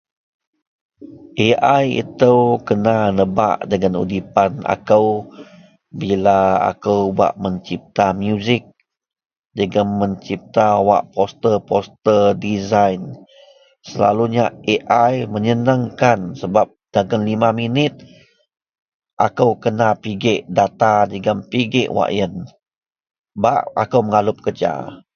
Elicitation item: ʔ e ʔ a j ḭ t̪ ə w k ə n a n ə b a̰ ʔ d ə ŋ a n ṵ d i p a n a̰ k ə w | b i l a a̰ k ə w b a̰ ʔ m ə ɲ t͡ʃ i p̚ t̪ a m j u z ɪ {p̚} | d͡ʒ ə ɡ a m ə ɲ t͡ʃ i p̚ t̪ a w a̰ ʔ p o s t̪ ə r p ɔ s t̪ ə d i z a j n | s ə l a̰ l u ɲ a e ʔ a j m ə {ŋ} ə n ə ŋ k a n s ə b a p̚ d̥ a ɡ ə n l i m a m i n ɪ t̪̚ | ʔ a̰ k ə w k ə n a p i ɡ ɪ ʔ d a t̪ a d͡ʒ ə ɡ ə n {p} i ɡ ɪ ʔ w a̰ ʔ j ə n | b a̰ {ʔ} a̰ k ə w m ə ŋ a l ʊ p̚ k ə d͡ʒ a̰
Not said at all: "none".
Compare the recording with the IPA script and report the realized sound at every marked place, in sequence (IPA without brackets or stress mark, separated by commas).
k̚, ɲ, p, ʔ